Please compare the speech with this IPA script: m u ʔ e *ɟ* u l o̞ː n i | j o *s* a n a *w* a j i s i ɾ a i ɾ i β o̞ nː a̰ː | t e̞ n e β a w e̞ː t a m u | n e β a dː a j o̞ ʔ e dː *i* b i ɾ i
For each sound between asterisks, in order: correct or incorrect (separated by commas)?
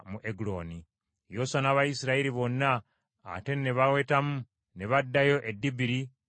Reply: incorrect, correct, incorrect, correct